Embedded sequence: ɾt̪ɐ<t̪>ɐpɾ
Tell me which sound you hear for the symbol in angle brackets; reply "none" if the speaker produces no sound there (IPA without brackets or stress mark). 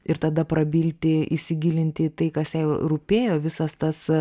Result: d̪